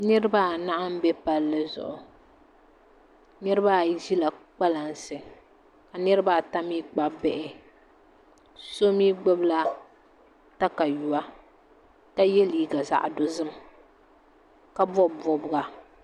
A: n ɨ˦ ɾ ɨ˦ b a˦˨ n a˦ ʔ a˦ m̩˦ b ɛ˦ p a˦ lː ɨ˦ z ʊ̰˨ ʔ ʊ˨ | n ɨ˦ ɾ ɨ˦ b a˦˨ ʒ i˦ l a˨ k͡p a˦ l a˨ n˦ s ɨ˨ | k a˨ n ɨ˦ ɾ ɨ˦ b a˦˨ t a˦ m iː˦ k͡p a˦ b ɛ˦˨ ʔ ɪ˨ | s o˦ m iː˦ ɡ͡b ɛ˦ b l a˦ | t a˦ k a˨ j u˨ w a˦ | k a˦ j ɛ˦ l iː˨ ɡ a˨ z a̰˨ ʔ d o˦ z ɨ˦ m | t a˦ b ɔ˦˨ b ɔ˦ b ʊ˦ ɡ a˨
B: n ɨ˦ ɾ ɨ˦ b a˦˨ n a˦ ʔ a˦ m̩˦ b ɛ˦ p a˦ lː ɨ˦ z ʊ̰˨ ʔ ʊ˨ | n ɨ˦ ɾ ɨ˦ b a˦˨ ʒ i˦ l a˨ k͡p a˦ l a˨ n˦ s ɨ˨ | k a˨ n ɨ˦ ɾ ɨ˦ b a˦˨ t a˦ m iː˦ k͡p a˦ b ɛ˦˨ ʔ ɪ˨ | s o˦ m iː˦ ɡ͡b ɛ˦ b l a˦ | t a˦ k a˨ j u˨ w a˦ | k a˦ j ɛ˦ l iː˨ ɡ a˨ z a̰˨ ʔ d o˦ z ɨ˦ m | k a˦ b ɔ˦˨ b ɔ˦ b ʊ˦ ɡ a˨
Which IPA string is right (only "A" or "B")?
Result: B